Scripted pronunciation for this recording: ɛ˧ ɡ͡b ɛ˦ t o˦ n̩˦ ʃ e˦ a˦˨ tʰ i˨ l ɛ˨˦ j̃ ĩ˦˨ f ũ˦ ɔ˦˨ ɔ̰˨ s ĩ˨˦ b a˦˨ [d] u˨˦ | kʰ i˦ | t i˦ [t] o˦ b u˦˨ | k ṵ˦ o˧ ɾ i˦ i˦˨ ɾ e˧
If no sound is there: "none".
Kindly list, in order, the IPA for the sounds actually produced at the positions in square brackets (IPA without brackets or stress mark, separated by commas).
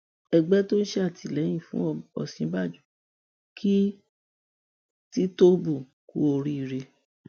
d͡ʒ, t